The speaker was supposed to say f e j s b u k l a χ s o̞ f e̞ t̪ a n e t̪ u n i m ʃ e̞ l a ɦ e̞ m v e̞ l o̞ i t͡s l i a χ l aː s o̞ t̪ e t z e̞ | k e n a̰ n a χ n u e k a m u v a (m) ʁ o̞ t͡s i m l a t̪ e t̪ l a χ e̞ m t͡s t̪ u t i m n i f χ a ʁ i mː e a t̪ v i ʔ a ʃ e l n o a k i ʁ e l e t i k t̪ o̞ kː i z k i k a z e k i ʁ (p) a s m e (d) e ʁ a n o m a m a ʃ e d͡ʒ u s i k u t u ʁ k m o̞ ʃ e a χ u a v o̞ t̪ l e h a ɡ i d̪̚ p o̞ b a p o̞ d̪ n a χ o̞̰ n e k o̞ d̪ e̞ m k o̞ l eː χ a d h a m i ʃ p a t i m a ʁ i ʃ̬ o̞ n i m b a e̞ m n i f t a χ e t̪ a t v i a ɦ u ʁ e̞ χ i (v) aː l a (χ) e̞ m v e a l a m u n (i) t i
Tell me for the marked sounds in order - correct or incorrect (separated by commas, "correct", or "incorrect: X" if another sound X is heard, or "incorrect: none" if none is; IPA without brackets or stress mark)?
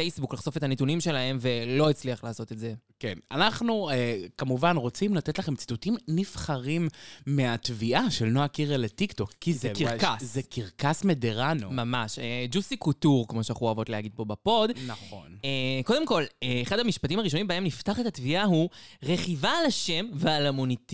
incorrect: n, incorrect: k, correct, correct, incorrect: ʃ, correct